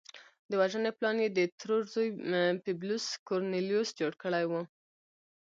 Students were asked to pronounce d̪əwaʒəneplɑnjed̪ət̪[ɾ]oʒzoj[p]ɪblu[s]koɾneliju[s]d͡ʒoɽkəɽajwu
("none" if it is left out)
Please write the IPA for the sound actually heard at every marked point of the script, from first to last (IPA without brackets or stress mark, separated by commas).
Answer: ɾ, p, s, s